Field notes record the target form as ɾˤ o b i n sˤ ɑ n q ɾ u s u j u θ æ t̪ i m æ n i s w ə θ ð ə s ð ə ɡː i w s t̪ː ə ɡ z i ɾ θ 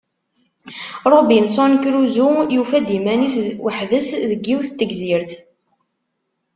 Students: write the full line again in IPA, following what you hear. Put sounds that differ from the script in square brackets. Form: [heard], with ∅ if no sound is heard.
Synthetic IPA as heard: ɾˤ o b i n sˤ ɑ n [k] ɾ u [z] u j u [f] æ [d̪] i m æ n i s w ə [ħ] ð ə s ð ə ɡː i w [θ] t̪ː ə ɡ z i ɾ θ